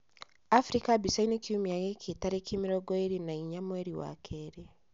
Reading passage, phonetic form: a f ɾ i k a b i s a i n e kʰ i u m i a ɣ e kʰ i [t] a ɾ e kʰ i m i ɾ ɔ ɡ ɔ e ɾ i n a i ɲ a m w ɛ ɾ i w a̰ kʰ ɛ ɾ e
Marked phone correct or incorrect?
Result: correct